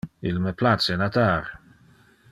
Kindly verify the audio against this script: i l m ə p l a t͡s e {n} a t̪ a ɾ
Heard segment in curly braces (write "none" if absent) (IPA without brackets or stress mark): n